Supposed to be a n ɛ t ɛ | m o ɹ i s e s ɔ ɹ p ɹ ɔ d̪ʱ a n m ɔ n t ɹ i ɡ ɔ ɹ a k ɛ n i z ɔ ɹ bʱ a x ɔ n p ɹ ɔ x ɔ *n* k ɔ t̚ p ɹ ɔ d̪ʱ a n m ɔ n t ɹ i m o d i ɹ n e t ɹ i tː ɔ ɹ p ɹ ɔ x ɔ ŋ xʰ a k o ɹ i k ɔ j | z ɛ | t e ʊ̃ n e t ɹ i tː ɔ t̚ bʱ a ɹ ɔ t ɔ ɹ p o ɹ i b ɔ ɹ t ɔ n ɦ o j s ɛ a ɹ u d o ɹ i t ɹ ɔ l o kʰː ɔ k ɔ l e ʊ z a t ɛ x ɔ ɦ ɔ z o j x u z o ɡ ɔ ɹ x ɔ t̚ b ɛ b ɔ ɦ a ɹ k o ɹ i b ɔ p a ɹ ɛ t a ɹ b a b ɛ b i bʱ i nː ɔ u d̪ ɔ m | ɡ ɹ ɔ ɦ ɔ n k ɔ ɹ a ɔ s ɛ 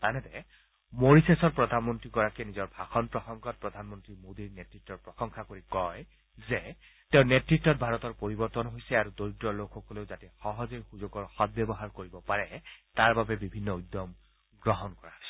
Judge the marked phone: incorrect: ŋ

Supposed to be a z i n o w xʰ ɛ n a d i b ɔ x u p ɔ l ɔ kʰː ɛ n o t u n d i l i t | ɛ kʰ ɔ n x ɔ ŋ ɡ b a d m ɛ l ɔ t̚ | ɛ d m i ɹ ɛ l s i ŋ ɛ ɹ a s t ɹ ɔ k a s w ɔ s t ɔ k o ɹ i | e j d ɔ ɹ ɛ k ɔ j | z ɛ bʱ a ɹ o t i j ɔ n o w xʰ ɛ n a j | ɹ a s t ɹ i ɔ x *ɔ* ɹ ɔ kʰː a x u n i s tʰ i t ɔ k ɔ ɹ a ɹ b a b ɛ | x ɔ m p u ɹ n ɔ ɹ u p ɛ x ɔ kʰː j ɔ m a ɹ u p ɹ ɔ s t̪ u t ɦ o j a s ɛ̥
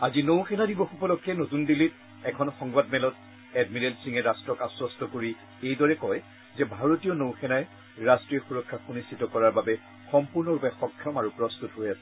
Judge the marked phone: incorrect: u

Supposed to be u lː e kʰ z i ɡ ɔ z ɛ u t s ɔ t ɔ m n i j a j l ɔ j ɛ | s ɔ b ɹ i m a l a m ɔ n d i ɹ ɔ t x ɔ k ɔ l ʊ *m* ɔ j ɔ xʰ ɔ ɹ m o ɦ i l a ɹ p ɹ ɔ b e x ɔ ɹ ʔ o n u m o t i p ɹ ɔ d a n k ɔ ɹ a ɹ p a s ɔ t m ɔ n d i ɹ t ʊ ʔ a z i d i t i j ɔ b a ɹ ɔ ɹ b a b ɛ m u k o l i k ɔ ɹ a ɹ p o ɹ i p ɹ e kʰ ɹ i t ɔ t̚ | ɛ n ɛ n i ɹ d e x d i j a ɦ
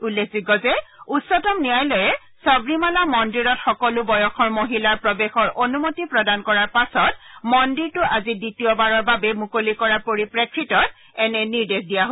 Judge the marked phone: incorrect: b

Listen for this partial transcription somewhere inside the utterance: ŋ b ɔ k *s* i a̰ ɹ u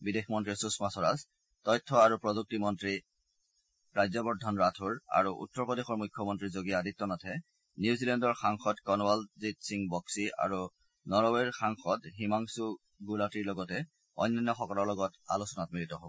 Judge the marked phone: correct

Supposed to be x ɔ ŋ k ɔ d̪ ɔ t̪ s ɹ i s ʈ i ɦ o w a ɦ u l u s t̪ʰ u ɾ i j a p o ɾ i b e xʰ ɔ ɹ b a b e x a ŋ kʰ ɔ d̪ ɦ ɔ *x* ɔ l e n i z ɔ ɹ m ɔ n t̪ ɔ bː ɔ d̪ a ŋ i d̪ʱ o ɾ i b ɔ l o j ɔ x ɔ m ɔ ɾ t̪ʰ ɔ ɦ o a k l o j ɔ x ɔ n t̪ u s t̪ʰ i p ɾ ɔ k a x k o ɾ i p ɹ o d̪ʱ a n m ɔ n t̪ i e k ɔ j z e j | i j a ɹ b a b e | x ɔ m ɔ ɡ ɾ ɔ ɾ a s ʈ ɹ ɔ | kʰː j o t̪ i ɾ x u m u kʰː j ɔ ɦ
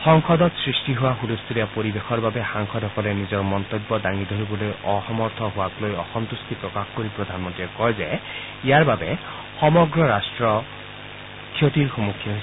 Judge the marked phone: incorrect: k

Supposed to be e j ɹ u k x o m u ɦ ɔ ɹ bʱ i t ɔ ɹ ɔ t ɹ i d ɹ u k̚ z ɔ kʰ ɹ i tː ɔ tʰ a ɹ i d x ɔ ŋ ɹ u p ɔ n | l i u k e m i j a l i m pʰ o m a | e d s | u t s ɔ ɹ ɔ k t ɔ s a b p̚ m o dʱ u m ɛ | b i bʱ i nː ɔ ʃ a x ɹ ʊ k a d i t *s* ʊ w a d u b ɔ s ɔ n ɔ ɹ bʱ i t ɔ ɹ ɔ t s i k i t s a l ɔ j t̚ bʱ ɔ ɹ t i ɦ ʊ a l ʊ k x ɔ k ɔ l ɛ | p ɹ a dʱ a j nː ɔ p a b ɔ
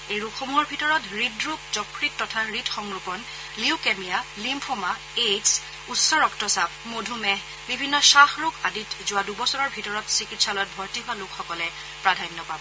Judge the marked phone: incorrect: z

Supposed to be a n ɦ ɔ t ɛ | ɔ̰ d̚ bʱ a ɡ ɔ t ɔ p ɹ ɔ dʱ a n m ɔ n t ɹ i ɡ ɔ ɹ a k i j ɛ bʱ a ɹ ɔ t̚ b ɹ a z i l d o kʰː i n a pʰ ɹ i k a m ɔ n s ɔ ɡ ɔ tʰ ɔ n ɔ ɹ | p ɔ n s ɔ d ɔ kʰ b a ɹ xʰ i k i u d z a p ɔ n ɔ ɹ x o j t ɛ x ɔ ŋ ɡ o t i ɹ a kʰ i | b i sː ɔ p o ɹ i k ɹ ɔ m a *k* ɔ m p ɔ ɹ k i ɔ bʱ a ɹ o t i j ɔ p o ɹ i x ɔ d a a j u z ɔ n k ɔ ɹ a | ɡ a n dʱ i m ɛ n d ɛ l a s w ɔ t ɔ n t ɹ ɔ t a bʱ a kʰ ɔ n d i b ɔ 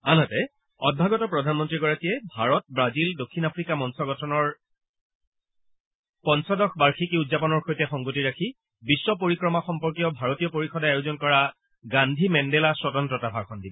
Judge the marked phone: incorrect: x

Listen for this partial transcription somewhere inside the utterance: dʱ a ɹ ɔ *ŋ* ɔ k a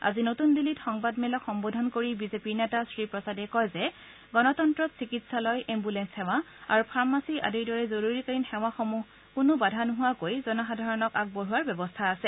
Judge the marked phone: incorrect: n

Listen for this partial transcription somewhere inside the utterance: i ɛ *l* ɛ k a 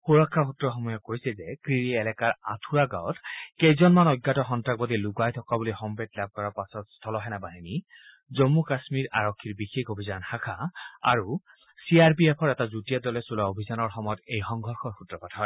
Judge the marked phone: correct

